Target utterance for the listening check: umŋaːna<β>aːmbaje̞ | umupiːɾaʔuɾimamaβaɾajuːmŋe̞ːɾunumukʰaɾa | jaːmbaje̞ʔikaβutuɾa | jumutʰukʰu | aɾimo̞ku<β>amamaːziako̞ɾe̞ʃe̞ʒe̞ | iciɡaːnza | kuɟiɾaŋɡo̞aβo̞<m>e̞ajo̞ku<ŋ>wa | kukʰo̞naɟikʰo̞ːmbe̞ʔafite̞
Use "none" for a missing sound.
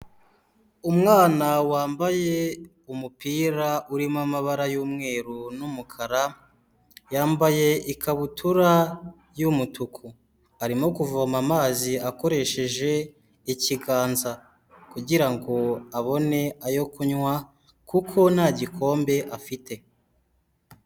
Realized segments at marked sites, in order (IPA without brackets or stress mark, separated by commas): w, v, n, ɲ